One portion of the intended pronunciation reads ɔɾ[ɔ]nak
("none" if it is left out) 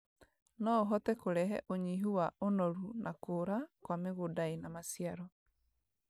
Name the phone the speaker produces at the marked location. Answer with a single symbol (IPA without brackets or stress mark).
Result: u